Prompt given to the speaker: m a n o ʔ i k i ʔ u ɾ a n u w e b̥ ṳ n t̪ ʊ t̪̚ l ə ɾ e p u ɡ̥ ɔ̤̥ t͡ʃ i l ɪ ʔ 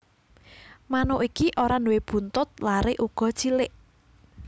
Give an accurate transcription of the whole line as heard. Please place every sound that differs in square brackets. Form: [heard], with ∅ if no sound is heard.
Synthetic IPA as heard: m a n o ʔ i k i ʔ [o] ɾ a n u w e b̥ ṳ n t̪ ʊ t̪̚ l [a] ɾ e [ʔ] u ɡ̥ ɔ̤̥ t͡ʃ i l ɪ ʔ